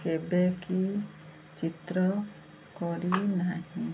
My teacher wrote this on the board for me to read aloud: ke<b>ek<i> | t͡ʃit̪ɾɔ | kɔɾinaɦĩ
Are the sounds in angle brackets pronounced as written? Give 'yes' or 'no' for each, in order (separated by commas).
yes, yes